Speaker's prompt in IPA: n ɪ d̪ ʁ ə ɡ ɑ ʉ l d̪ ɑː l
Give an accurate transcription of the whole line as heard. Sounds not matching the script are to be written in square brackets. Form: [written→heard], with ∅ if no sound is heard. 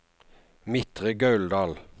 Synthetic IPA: [n→m] ɪ [d̪→t̪] ʁ ə ɡ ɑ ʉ l d̪ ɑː l